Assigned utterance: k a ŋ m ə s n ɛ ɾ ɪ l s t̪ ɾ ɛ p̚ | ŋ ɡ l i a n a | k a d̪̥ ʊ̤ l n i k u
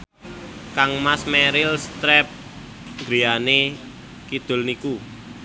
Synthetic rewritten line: k a ŋ m a s m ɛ ɾ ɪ l s t̪ ɾ ɛ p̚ | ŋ ɡ ɾ i a n e | k i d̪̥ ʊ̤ l n i k u